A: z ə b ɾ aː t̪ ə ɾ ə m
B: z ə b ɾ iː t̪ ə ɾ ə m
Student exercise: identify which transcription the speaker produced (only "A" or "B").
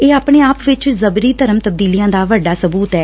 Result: B